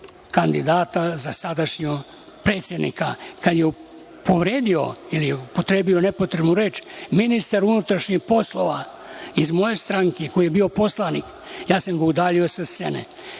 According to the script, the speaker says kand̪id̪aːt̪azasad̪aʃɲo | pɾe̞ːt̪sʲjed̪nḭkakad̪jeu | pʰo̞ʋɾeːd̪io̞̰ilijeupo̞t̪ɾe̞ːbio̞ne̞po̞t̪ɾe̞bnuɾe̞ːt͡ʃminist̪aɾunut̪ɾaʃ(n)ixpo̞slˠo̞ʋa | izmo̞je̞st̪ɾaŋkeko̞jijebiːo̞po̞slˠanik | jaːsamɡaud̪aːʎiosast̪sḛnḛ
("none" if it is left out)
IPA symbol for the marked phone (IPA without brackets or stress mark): ɲ